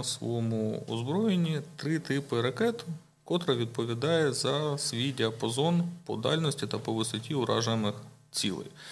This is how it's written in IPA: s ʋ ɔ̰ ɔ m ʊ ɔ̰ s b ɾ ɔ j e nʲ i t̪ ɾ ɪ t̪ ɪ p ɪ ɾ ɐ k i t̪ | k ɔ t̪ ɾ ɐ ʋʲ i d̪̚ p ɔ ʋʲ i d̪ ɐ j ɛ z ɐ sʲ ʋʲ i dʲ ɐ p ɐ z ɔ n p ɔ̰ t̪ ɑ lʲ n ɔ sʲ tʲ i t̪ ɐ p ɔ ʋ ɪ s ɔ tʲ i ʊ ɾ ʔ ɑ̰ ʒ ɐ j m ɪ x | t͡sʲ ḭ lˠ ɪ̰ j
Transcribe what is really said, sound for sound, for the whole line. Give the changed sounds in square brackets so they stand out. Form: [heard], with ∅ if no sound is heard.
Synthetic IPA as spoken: s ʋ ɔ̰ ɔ m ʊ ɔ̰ [z] b ɾ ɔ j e nʲ i t̪ ɾ ɪ t̪ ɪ p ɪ ɾ ɐ k [ɛ] t̪ | k ɔ t̪ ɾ ɐ ʋʲ i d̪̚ p ɔ ʋʲ i d̪ [ɑ] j ɛ z ɐ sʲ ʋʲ i dʲ ɐ p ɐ z ɔ n p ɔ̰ [d̪] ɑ lʲ n ɔ sʲ tʲ i t̪ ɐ p ɔ ʋ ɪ s ɔ tʲ i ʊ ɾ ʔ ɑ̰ ʒ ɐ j m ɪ x | t͡sʲ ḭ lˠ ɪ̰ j